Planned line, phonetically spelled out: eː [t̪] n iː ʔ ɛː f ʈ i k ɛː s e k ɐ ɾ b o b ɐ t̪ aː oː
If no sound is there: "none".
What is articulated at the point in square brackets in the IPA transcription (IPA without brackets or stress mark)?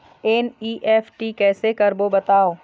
none